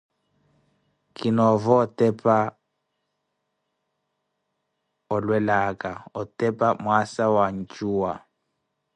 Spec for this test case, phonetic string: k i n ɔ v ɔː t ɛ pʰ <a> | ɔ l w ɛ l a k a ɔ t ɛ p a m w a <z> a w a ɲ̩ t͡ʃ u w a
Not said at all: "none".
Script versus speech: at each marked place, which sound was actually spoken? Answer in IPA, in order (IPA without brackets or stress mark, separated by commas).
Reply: a, s